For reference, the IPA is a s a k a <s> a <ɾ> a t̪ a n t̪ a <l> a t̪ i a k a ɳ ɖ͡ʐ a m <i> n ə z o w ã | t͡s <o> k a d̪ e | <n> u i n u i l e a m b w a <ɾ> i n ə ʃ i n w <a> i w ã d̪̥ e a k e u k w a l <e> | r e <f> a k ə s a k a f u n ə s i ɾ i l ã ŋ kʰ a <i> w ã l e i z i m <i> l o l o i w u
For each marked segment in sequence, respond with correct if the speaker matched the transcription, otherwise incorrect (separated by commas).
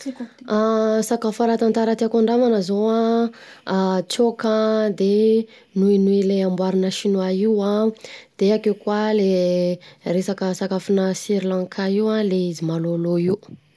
incorrect, correct, incorrect, incorrect, correct, correct, correct, correct, correct, incorrect, correct, incorrect